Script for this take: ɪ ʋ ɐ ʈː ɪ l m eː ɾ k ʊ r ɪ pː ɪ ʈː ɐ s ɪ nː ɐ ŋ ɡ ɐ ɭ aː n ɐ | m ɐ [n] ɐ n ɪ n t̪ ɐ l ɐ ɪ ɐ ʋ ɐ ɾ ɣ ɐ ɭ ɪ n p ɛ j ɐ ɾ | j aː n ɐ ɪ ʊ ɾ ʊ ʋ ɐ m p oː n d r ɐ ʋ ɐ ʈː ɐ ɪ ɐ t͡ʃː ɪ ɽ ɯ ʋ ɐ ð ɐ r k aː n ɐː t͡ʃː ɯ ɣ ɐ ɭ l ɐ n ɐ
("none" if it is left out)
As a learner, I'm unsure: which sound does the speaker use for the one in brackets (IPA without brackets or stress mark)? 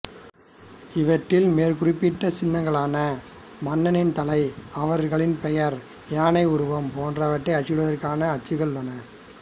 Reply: nː